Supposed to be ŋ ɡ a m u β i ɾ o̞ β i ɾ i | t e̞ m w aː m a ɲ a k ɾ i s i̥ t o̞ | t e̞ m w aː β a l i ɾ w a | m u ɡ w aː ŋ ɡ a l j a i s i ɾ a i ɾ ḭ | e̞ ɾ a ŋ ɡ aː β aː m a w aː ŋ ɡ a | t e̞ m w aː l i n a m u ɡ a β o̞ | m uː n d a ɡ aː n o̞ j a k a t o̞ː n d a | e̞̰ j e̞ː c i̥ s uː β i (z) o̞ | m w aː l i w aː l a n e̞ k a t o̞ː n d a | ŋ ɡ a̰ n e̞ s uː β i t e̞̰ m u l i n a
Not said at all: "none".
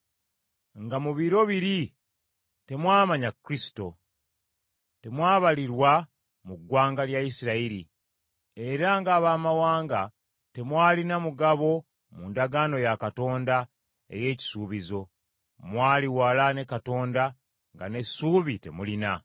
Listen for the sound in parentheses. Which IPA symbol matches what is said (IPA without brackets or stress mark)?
z